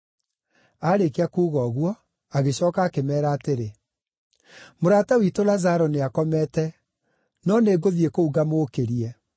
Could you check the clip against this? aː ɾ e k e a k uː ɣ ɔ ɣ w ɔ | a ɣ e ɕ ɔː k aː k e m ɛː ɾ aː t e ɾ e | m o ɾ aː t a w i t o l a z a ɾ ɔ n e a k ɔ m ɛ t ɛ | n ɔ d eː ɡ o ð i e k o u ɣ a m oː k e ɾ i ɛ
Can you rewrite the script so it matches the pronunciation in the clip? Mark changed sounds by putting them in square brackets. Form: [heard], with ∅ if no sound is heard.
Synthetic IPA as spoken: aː ɾ e k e a k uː ɣ ɔ ɣ w ɔ | a ɣ e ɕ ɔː k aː k e m ɛː ɾ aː t e ɾ e | m o ɾ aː t a w i t o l a z a ɾ ɔ n e a k ɔ m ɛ t ɛ | n ɔ [n] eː ɡ o ð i e k o u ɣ a m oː k e ɾ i ɛ